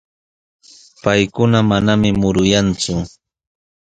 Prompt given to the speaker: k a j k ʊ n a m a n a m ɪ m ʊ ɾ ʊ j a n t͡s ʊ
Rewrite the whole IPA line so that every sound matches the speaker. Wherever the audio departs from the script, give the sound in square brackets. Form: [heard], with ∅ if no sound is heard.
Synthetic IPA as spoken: [p] a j k ʊ n a m a n a m ɪ m ʊ ɾ ʊ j a n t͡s ʊ